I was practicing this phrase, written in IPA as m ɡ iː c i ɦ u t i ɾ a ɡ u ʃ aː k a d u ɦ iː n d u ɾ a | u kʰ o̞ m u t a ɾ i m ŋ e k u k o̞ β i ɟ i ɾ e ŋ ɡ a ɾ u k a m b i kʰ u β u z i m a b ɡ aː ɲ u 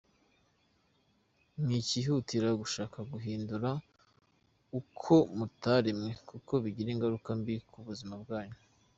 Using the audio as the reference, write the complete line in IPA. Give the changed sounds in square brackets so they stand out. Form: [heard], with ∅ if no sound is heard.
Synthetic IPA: m [ŋ] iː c i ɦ u t i ɾ a ɡ u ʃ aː k a [ɡ] u ɦ iː n d u ɾ a | u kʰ o̞ m u t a ɾ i m ŋ e k u k o̞ β i ɟ i ɾ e ŋ ɡ a ɾ u k a m b i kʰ u β u z i m a b ɡ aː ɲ u